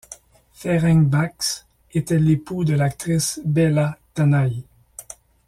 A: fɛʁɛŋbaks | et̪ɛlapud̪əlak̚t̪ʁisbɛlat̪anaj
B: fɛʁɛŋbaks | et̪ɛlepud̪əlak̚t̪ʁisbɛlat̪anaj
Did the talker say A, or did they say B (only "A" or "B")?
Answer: B